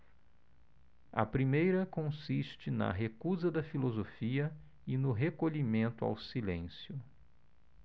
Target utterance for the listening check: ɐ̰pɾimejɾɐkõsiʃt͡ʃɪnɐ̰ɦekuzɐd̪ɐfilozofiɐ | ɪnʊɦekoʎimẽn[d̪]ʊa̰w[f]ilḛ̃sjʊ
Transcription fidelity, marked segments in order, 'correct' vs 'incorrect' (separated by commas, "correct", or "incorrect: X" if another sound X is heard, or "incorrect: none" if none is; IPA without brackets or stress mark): incorrect: t̪, incorrect: s